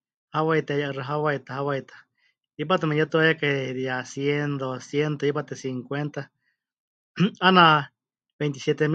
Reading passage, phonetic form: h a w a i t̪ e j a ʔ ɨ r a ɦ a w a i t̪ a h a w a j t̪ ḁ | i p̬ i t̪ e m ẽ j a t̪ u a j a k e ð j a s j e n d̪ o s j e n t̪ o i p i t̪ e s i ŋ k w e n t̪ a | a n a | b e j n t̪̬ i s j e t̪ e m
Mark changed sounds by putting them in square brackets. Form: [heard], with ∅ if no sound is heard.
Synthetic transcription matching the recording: h a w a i t̪ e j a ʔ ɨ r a ɦ a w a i t̪ a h a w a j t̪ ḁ | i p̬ [a] t̪ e m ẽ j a t̪ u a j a k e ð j a s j e n d̪ o s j e n t̪ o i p [a] t̪ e s i ŋ k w e n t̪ a | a n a | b e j n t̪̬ i s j e t̪ e m

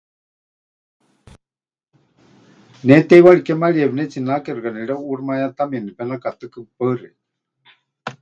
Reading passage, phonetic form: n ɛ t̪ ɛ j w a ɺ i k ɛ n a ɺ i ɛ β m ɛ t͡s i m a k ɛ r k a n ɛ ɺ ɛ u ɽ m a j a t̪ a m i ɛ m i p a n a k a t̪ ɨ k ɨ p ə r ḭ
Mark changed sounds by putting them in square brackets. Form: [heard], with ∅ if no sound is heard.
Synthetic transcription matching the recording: n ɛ t̪ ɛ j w a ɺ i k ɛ [m] a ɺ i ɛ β [n] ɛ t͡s i [n] a k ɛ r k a n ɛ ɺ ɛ u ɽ m a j a t̪ a m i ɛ [n] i p [ɛ] n a k a t̪ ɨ k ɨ p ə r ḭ

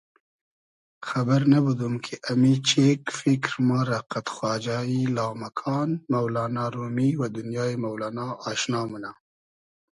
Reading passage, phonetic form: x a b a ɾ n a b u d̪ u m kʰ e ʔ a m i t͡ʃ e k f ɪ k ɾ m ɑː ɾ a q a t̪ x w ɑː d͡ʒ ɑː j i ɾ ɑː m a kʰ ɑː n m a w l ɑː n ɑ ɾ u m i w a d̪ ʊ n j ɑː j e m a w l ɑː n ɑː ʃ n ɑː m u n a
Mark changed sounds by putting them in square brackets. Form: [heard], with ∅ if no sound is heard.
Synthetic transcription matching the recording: x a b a ɾ n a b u d̪ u m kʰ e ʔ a m i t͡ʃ e k f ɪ k ɾ m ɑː ɾ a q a t̪ x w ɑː d͡ʒ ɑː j i [l] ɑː m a kʰ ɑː n m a w l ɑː n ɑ ɾ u m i w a d̪ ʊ n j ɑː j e m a w l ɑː n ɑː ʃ n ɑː m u n a

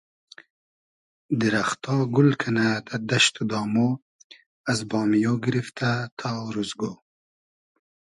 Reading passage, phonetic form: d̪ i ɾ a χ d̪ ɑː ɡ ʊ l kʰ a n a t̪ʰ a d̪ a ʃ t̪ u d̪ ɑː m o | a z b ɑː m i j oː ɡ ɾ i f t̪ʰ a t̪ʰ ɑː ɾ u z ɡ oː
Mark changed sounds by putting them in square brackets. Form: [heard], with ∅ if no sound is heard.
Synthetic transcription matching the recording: d̪ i ɾ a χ [t̪] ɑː ɡ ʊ l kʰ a n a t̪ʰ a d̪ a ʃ t̪ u d̪ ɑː m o | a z b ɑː m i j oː ɡ ɾ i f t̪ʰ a t̪ʰ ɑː ɾ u z ɡ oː

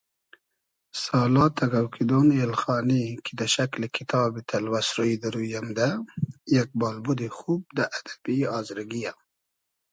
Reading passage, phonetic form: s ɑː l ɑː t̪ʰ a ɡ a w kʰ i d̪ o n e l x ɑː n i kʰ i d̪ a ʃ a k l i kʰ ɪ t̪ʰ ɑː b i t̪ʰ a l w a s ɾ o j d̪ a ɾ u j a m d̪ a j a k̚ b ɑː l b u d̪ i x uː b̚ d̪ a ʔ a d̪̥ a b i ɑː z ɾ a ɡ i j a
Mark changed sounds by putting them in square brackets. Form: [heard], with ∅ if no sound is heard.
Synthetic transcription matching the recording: s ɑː l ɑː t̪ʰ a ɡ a w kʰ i d̪ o n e l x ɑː n i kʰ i d̪ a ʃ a k l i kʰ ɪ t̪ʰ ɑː b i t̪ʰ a l w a s ɾ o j d̪ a ɾ u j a m d̪ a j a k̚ b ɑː l b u d̪ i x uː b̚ d̪ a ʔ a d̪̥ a b i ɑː z ɾ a ɡ i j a

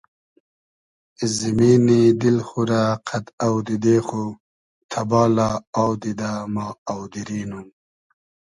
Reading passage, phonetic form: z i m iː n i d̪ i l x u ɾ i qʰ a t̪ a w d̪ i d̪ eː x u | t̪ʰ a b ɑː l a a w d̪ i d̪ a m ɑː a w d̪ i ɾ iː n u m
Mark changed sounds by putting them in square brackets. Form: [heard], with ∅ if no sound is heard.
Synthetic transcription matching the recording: z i m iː n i d̪ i l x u ɾ [a] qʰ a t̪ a w d̪ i d̪ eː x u | t̪ʰ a b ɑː l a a w d̪ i d̪ a m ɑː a w d̪ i ɾ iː n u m

